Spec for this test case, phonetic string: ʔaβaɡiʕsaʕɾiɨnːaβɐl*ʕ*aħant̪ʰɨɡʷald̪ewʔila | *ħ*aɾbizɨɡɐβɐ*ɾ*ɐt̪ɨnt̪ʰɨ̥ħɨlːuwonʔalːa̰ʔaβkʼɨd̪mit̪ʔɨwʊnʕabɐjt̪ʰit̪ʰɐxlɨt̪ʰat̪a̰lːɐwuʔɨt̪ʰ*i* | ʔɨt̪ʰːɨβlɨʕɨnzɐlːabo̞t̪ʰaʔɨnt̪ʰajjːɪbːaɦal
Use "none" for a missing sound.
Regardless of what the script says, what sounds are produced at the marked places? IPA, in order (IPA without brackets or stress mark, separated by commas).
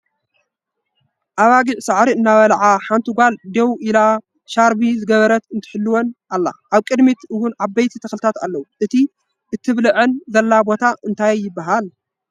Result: ʕ, ʃ, ɾ, i